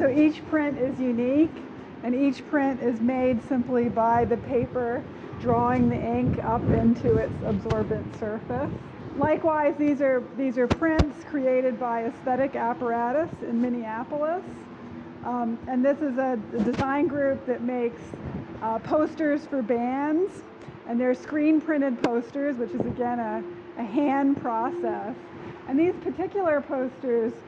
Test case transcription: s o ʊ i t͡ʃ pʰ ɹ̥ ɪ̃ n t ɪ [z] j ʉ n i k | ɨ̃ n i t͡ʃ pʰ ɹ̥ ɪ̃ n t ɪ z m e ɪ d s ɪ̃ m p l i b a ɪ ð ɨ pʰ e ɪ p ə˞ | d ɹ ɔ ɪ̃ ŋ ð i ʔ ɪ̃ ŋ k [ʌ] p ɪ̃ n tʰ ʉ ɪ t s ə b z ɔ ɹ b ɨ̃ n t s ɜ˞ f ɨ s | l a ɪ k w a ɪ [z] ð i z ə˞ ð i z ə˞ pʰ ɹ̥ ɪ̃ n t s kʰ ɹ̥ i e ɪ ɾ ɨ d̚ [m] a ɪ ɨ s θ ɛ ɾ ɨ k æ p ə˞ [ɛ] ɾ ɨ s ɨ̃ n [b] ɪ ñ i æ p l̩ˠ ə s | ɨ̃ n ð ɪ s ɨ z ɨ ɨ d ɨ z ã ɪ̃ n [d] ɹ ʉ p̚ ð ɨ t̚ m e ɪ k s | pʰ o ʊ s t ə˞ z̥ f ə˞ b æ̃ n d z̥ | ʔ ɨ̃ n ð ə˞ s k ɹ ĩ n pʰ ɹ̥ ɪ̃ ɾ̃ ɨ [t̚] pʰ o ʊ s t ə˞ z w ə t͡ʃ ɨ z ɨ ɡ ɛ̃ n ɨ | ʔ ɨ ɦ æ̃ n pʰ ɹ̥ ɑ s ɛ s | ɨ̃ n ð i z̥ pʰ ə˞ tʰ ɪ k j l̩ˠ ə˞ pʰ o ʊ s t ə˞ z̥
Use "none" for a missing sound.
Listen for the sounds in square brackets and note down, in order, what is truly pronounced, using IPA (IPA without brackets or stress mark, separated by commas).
z, ʌ, z, b, æ, m, ɡ, d̚